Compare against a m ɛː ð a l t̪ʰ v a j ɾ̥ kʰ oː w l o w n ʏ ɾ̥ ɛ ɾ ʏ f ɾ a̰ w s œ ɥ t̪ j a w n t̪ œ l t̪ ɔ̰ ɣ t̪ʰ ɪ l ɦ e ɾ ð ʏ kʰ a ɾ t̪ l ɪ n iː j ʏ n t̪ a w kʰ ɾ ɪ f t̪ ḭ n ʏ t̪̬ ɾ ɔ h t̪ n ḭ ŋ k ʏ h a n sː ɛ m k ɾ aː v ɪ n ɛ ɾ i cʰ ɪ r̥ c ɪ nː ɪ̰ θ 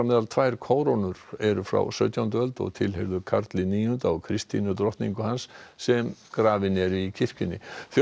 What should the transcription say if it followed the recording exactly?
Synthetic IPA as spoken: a m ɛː ð a l t̪ʰ v a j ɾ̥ kʰ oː w ɾ o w n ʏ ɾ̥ ɛ ɾ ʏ f ɾ a̰ w s œ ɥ t̪ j a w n t̪ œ l t̪ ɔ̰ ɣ t̪ʰ ɪ l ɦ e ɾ ð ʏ kʰ a ɾ t̪ l ɪ n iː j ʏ n t̪ a w kʰ ɾ ɪ s t̪ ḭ n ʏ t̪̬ ɾ ɔ h t̪ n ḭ ŋ k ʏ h a n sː ɛ m k ɾ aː v ɪ n ɛ ɾ i cʰ ɪ r̥ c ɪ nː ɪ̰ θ